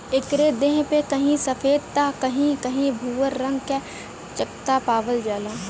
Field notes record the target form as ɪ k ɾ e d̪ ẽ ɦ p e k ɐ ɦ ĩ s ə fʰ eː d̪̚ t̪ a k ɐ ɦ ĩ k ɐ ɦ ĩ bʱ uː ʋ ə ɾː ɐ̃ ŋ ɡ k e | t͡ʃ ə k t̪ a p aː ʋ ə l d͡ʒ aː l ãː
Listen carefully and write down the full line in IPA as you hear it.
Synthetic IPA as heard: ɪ k ɾ e d̪ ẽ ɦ p e k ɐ ɦ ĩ s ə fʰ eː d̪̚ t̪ a k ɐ ɦ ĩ k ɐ ɦ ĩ bʱ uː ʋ ə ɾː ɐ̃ ŋ ɡ k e | t͡ʃ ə k t̪ a p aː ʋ ə l d͡ʒ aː l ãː